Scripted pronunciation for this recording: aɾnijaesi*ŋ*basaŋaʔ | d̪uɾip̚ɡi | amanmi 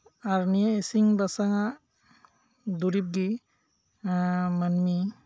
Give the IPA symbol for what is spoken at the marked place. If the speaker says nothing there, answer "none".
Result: ŋ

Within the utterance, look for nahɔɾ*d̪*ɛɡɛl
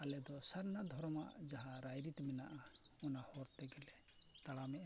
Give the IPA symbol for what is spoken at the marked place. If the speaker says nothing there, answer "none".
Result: t̪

